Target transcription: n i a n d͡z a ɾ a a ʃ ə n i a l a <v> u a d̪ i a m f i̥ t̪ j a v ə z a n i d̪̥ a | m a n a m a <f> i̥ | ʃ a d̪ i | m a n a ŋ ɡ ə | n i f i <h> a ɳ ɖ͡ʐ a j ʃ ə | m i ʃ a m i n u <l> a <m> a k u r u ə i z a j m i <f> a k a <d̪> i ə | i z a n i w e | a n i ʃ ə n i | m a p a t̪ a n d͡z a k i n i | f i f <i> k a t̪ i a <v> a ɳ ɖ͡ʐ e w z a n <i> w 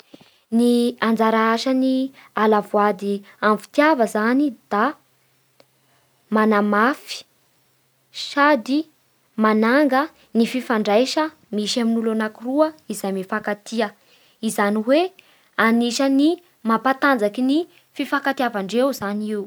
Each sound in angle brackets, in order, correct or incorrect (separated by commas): correct, correct, incorrect, correct, incorrect, correct, incorrect, incorrect, correct, correct